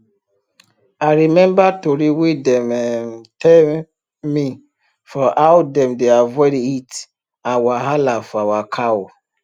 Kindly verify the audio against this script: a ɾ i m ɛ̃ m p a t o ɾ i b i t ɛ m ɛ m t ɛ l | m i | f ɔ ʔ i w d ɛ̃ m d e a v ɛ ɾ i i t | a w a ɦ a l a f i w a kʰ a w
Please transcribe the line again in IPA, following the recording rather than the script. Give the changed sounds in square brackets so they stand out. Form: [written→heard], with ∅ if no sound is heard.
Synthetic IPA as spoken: a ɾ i m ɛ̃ m [p→b] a t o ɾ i [b→w] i [t→d] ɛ m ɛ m t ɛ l | m i | f ɔ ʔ [i→a] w d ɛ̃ m d e a v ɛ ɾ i i t | a w a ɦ a l a f [i→a] w a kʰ a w